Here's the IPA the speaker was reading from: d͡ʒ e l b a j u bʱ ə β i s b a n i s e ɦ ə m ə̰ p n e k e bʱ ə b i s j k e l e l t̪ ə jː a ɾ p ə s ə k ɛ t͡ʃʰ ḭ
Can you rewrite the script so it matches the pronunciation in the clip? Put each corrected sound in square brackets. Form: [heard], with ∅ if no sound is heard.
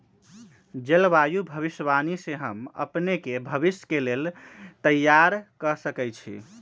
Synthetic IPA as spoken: d͡ʒ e l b a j u bʱ ə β i s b a n i s e ɦ ə m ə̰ p n e k e bʱ ə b i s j k e l e l t̪ ə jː a ɾ [k] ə s ə k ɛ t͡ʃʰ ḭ

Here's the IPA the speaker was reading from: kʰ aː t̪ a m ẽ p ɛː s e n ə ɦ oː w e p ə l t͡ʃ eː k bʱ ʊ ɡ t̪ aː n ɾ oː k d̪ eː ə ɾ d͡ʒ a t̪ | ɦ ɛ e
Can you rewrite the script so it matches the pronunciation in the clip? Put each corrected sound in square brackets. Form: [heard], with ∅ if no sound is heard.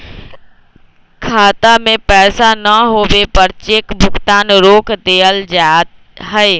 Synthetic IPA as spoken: kʰ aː t̪ a m ẽ p ɛː s [a] n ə ɦ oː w e p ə [ɾ] t͡ʃ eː k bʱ ʊ ɡ t̪ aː n ɾ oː k d̪ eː ə [l] d͡ʒ a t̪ | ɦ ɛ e

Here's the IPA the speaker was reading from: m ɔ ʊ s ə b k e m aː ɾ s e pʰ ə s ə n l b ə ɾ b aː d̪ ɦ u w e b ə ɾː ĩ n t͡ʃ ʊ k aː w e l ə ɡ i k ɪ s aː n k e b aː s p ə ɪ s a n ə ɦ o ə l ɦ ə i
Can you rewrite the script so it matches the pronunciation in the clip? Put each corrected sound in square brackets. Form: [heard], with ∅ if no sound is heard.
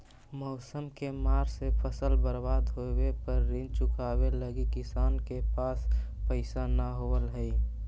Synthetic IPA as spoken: m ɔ ʊ s ə [m] k e m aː ɾ s e pʰ ə s ə [∅] l b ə ɾ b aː d̪ ɦ [o] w e [p] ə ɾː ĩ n t͡ʃ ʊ k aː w e l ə ɡ i k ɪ s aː n k e [p] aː s p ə ɪ s a n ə ɦ o ə l ɦ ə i

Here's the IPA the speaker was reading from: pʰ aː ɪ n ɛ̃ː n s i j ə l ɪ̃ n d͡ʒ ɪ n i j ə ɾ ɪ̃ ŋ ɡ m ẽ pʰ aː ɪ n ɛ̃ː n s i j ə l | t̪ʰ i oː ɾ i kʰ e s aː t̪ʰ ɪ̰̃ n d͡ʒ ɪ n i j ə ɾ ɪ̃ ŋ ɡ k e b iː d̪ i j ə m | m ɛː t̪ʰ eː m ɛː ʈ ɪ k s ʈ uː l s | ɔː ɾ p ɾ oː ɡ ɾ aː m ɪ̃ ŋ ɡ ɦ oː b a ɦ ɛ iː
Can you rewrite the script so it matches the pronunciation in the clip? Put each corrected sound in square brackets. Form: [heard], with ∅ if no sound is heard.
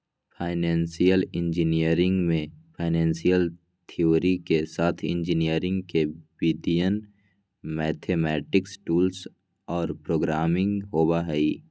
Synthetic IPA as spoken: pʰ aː ɪ n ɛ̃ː n s i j ə l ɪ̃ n d͡ʒ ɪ n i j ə ɾ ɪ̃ ŋ ɡ m ẽ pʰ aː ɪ n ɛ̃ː n s i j ə l | t̪ʰ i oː ɾ i [k] e s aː t̪ʰ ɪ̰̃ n d͡ʒ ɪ n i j ə ɾ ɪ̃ ŋ ɡ k e b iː d̪ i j ə [n] | m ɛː t̪ʰ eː m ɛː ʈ ɪ k s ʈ uː l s | ɔː ɾ p ɾ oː ɡ ɾ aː m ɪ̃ ŋ ɡ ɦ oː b a ɦ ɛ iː

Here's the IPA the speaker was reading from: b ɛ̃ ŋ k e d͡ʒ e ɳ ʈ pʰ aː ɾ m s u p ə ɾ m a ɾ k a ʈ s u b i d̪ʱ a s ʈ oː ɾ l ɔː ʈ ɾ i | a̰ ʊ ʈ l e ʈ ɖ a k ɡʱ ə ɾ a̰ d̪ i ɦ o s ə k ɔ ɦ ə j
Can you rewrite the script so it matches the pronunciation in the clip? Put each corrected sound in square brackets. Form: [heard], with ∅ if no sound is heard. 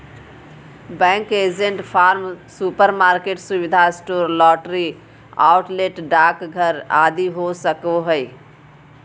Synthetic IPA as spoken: b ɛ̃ ŋ k e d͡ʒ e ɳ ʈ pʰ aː ɾ m s u p ə ɾ m a ɾ k [e] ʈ s u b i d̪ʱ a s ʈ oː ɾ l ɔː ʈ ɾ i | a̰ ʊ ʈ l e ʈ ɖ a k ɡʱ ə ɾ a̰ d̪ i ɦ o s ə k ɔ ɦ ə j

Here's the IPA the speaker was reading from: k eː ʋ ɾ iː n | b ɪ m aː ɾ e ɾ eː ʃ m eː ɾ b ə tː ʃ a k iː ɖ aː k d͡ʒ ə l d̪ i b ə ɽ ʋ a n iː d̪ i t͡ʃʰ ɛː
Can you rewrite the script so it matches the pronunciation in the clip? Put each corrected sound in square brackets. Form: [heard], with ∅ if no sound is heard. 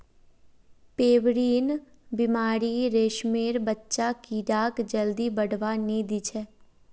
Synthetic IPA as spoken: [p] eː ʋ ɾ iː n | b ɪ m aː ɾ [i] ɾ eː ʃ m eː ɾ b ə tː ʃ a k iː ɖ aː k d͡ʒ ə l d̪ i b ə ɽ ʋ a n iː d̪ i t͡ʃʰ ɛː

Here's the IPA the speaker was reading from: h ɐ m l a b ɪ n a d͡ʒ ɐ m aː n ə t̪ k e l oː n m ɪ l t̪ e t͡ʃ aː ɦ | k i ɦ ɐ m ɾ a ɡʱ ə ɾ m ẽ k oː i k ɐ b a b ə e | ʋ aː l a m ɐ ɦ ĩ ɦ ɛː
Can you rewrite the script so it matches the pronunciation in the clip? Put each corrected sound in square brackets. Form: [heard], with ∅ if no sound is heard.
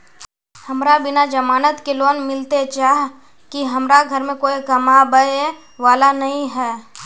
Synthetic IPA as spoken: h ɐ m [ɾ] a b ɪ n a d͡ʒ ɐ m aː n ə t̪ k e l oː n m ɪ l t̪ e t͡ʃ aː ɦ | k i ɦ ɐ m ɾ a ɡʱ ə ɾ m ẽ k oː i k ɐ [m] a b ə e | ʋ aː l a [n] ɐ ɦ ĩ ɦ ɛː

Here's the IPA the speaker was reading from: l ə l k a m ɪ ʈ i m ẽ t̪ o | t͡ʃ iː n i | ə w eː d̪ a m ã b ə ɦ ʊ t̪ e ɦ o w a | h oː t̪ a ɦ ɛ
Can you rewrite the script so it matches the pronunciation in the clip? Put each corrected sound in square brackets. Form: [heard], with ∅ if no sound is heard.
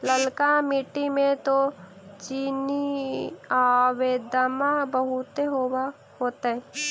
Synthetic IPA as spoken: l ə l k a m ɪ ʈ i m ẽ t̪ o | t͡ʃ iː n i | [a] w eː d̪ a m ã b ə ɦ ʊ t̪ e ɦ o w a | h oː t̪ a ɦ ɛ

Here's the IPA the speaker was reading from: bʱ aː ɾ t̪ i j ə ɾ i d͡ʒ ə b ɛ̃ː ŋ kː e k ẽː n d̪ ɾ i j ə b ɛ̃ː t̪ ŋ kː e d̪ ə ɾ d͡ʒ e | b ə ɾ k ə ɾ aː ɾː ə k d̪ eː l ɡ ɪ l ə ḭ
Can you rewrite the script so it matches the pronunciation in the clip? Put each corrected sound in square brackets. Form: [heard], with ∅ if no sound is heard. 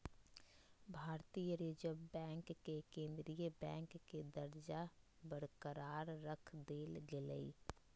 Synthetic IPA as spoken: bʱ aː ɾ t̪ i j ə ɾ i d͡ʒ ə b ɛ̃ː ŋ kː e k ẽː n d̪ ɾ i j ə b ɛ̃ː [∅] ŋ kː e d̪ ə ɾ d͡ʒ [a] | b ə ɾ k ə ɾ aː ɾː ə [kʰ] d̪ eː l ɡ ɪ l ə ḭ

